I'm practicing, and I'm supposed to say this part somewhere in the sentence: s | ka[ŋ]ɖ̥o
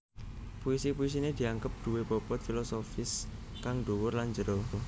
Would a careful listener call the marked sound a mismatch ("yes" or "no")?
no